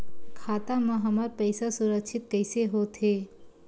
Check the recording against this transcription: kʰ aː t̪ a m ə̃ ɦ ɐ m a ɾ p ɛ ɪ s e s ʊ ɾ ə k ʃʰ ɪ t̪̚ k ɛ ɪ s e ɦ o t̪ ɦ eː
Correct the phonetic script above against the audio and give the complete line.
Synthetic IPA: kʰ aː t̪ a m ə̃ ɦ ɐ m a ɾ p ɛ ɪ s a s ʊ ɾ ə k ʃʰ ɪ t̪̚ k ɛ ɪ s e ɦ o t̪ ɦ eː